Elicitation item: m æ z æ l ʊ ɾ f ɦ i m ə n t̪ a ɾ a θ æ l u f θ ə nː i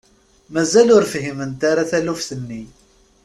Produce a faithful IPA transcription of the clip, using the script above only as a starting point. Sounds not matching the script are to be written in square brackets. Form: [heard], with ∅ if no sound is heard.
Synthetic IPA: m æ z æ l ʊ ɾ f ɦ i m ə n t̪ a ɾ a θ æ l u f θ ə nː i